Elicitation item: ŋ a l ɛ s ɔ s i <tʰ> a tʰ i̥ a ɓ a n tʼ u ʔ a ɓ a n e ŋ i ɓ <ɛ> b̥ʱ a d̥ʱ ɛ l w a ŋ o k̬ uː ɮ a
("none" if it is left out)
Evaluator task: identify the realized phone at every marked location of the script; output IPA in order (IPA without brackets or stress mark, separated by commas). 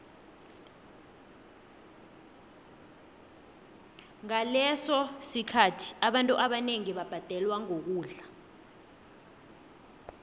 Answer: kʰ, a